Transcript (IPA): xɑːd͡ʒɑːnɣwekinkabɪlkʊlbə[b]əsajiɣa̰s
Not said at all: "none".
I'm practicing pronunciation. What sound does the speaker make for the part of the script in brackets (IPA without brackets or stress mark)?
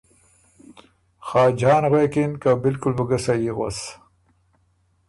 ɡ